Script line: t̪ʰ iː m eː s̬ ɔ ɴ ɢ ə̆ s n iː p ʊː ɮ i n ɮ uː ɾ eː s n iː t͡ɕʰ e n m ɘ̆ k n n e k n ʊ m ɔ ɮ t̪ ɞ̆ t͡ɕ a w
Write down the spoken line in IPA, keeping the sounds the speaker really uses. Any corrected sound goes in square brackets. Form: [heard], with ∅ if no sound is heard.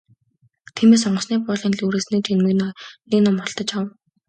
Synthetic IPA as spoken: t̪ʰ iː m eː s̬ ɔ ɴ ɢ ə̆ s n iː p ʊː ɮ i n ɮ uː ɾ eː s n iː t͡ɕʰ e n m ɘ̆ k n n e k n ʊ m ɔ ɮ t̪ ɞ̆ t͡ɕ a w